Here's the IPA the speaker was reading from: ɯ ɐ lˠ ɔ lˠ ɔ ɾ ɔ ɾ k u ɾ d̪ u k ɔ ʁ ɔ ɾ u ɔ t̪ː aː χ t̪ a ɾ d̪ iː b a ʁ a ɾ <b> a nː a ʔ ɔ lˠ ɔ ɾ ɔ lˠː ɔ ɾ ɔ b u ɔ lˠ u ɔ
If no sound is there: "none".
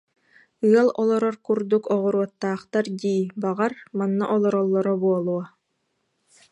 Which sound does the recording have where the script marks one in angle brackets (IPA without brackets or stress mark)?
m